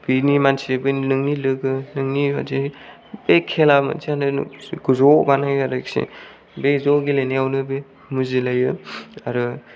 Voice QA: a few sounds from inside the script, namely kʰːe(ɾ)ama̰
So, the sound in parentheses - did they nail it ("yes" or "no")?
no